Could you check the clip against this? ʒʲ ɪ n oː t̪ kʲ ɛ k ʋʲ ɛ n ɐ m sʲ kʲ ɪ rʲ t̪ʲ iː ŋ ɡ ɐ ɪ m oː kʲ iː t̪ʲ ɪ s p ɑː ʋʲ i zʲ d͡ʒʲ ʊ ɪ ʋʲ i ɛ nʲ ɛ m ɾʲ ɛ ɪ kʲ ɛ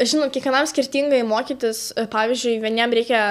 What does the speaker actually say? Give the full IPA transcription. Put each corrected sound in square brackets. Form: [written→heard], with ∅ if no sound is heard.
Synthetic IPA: ʒʲ ɪ n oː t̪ kʲ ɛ k ʋʲ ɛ n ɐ m sʲ kʲ ɪ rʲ t̪ʲ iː ŋ ɡ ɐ ɪ m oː kʲ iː t̪ʲ ɪ s p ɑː ʋʲ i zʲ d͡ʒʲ ʊ ɪ ʋʲ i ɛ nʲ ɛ m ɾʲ ɛ ɪ kʲ ɛ